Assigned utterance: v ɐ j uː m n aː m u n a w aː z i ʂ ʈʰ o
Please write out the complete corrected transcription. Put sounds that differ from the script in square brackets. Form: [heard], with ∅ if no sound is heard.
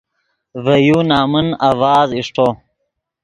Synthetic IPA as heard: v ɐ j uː [∅] n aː m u n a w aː z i ʂ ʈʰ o